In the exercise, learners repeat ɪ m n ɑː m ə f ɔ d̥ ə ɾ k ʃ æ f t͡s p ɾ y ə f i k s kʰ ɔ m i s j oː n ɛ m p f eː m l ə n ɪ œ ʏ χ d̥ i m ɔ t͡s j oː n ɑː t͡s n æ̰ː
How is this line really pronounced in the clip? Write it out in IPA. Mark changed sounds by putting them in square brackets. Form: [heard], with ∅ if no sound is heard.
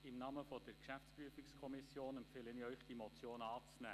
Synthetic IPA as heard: ɪ m n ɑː m ə f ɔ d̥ ə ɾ k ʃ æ f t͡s p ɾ y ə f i k s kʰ ɔ m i s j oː n ɛ m p f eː [∅] l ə n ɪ œ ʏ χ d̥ i m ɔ t͡s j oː n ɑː t͡s n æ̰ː